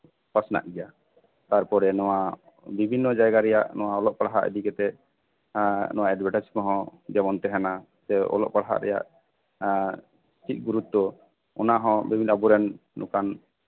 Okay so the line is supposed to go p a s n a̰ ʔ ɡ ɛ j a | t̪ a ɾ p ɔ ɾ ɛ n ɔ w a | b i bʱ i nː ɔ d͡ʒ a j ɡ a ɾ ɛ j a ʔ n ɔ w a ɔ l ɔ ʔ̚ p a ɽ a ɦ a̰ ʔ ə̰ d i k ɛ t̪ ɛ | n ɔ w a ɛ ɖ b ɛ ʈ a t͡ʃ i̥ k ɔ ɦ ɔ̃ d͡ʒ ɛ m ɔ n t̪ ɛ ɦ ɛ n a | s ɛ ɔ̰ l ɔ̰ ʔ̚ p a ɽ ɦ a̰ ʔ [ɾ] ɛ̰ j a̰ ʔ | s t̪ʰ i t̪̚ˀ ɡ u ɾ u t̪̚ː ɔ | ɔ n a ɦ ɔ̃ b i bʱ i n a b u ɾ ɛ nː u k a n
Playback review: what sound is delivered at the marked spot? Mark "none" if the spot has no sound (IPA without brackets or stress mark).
ɾ